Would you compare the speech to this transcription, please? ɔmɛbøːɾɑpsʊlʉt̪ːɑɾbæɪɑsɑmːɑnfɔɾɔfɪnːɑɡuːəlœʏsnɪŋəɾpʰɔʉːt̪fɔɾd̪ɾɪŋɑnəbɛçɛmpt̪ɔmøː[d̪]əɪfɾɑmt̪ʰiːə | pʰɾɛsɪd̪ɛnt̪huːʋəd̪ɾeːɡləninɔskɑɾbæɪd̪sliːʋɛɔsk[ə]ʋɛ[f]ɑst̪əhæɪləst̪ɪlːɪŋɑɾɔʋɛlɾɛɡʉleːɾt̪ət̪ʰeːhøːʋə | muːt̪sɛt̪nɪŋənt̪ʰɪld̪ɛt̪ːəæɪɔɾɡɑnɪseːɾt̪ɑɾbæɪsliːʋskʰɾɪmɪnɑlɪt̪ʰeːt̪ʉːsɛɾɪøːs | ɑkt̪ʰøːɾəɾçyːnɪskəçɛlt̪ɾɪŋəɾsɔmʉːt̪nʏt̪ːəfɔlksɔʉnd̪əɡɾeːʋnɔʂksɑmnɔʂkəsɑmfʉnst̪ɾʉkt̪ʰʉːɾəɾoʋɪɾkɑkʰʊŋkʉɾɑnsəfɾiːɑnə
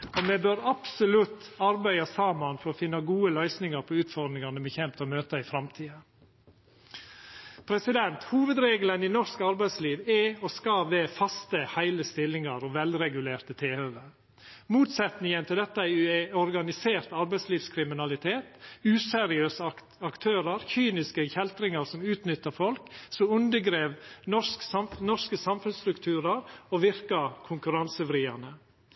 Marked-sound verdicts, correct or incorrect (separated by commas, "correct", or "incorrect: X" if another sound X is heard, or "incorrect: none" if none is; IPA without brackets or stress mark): incorrect: t̪, incorrect: ɑ, correct